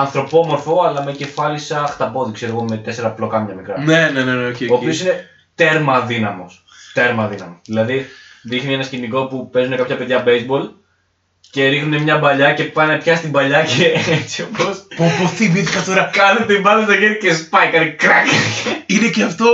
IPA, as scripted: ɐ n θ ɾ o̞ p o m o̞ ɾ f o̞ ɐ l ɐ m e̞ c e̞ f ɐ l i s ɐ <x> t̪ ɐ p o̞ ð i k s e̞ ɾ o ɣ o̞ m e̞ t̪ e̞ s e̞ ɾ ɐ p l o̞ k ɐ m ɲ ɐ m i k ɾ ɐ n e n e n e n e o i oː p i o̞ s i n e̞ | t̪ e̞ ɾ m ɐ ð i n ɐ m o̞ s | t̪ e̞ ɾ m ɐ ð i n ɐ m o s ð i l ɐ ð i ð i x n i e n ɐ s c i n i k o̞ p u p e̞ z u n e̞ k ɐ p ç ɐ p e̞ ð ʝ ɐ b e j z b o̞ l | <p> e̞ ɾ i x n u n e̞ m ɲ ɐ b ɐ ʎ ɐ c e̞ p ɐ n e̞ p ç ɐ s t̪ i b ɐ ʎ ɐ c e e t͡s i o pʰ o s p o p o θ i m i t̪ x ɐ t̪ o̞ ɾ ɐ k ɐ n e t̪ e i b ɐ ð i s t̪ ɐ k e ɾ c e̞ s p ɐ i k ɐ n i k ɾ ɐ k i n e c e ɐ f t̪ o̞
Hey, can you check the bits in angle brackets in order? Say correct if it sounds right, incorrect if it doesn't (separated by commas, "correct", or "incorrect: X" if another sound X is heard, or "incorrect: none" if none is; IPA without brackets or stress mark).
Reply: correct, incorrect: c